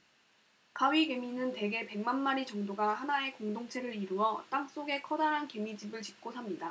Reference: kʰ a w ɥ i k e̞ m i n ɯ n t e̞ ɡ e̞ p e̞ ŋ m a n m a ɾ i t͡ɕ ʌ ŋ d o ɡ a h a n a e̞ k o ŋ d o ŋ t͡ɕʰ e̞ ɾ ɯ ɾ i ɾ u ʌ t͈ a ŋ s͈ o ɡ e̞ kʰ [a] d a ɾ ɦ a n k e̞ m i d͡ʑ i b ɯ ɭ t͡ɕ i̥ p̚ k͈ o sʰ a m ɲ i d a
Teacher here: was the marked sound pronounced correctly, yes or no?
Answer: no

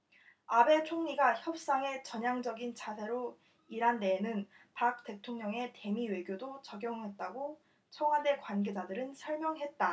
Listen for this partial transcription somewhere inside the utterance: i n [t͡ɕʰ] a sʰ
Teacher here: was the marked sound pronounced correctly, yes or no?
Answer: yes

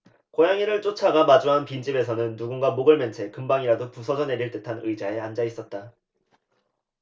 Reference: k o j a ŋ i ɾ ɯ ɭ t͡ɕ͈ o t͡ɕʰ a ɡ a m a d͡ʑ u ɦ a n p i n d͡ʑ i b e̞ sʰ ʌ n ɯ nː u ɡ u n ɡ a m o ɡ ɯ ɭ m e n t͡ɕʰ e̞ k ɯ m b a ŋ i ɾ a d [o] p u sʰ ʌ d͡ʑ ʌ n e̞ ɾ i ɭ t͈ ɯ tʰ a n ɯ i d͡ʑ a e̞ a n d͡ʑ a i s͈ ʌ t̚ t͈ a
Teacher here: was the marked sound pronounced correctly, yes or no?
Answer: yes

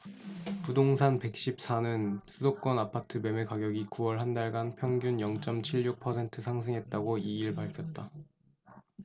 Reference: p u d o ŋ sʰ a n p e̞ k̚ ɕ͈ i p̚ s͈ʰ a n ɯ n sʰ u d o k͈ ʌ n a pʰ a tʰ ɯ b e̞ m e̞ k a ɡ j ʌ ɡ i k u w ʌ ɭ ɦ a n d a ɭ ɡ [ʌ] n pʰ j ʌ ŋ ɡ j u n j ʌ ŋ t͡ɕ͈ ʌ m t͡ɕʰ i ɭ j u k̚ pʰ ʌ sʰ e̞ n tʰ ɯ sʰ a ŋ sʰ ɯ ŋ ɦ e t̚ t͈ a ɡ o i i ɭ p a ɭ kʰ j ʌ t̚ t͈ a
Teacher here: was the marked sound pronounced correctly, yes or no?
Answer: no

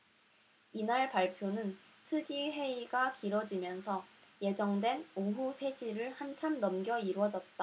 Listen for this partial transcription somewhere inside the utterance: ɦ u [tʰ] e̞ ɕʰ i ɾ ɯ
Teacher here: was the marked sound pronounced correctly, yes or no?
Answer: no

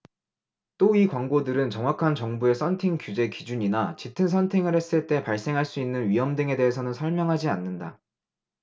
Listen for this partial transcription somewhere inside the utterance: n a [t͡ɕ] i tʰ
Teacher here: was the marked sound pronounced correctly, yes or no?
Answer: yes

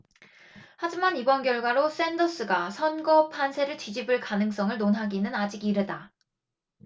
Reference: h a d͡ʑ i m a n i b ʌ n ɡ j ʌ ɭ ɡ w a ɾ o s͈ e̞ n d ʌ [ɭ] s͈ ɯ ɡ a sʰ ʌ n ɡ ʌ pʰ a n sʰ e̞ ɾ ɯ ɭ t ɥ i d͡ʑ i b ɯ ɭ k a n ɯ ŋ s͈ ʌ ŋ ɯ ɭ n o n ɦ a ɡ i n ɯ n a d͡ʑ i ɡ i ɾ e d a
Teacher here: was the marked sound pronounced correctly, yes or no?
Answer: no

